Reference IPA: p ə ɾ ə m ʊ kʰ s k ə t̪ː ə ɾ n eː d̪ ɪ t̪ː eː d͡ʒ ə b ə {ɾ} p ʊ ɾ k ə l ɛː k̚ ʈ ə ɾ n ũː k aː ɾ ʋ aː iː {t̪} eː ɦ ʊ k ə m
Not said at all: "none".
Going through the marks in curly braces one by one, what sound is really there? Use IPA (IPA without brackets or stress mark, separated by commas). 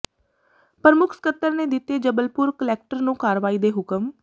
l, d̪